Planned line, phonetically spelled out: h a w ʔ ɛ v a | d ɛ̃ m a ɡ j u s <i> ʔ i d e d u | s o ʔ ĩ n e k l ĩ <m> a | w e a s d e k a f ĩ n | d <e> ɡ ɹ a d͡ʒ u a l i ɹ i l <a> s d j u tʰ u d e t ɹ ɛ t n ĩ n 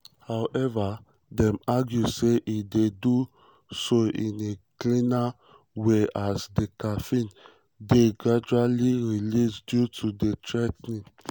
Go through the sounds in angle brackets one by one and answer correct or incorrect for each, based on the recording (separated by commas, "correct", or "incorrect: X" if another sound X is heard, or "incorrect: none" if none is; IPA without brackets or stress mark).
incorrect: e, incorrect: n, correct, incorrect: i